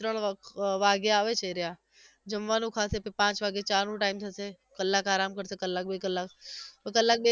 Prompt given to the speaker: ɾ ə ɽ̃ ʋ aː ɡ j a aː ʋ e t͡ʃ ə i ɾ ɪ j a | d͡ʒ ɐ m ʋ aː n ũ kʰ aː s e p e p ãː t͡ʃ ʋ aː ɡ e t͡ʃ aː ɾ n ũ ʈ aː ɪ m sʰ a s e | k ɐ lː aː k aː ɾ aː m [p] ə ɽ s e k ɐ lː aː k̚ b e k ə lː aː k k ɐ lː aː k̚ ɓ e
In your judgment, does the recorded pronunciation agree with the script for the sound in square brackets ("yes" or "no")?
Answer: no